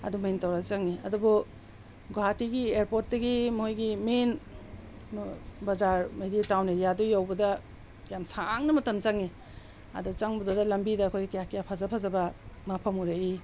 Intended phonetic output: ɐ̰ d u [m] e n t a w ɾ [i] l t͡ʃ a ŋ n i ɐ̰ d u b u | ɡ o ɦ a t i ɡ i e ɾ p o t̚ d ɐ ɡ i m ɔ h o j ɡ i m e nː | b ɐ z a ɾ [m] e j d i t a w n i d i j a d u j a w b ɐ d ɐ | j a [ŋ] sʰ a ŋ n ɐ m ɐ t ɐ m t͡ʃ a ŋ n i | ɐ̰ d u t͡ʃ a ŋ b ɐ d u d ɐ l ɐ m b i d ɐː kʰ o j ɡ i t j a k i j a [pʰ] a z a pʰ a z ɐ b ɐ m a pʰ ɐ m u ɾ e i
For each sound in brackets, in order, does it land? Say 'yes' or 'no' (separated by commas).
yes, no, yes, no, yes